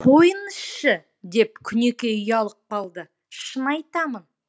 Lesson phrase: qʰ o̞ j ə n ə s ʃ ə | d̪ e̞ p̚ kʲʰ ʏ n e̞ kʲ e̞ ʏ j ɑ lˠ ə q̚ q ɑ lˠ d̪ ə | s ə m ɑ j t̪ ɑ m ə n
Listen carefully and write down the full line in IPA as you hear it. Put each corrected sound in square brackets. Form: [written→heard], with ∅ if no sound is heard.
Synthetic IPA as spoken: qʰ o̞ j ə n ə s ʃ ə | d̪ e̞ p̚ kʲʰ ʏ n e̞ kʲ e̞ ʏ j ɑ lˠ ə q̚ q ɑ lˠ d̪ ə | [s→ʃ] ə [m→n] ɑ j t̪ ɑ m ə n